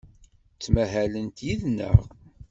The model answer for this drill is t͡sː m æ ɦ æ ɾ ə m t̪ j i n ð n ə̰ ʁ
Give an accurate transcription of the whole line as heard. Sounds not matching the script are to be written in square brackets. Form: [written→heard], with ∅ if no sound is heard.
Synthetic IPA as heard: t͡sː m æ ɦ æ [ɾ→l] ə [m→n] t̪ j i [n→∅] ð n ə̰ ʁ